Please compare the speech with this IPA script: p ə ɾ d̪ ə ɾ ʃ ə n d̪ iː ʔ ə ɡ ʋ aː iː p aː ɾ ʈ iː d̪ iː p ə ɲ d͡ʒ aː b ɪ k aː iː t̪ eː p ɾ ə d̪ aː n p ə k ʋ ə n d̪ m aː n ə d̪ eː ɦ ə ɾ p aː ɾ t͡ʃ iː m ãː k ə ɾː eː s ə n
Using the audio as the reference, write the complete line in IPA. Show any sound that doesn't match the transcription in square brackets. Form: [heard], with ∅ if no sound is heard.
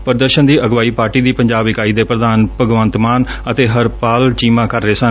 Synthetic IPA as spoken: p ə ɾ d̪ ə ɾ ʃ ə n d̪ iː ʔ ə ɡ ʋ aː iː p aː ɾ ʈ iː d̪ iː p ə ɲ d͡ʒ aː b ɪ k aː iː [d̪] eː p ɾ ə d̪ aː n p ə [ɡ] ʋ ə n [t̪] m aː n ə [t̪] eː ɦ ə ɾ p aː [l] t͡ʃ iː m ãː k ə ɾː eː s ə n